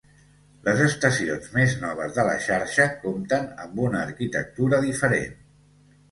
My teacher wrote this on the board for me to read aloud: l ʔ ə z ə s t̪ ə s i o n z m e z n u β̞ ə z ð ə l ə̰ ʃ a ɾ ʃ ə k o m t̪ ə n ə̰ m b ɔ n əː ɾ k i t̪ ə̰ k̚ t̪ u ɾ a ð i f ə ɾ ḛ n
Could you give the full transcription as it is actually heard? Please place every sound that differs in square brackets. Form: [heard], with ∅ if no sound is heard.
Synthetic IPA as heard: l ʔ ə z ə s t̪ ə s i o n z m e z n [ɔ] β̞ ə z ð ə l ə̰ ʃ a ɾ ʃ ə k o m t̪ ə n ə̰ m b [u] n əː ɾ k i t̪ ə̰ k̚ t̪ u ɾ [ə] ð i f ə ɾ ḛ n